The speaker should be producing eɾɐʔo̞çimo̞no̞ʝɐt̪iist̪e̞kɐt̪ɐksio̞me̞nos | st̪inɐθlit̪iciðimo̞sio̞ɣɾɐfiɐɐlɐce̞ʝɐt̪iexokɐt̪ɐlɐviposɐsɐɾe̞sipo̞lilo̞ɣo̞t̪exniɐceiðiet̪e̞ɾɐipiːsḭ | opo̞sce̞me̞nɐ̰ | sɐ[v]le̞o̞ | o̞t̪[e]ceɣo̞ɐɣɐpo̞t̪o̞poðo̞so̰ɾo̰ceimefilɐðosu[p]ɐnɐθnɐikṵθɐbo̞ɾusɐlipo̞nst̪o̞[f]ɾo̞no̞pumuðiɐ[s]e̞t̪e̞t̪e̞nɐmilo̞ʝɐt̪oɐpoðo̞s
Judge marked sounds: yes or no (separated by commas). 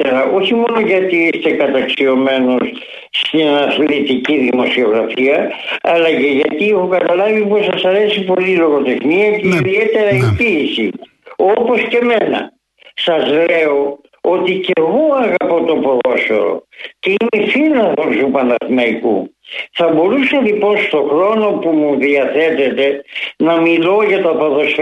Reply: no, no, yes, no, no